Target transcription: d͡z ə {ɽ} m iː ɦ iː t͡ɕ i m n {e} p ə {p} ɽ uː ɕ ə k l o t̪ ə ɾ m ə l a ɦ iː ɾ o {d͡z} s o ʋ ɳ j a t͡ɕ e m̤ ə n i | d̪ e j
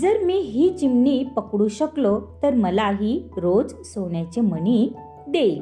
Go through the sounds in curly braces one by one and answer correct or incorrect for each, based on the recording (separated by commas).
incorrect, incorrect, incorrect, correct